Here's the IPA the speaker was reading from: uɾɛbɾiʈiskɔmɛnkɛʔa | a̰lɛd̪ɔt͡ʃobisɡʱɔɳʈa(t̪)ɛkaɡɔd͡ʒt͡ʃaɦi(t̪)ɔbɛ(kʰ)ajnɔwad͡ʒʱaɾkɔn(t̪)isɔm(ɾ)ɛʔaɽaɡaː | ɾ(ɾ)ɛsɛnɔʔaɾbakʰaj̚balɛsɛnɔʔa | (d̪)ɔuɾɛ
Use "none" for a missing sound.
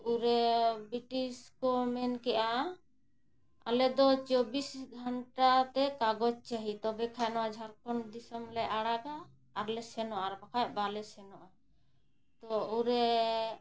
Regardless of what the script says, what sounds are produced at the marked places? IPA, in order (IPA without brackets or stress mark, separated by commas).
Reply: t̪, t̪, kʰ, d̪, l, l, t̪